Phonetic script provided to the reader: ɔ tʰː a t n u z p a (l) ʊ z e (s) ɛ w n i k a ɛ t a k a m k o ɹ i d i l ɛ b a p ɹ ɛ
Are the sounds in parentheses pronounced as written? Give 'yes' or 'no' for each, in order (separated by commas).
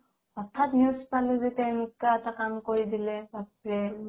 yes, no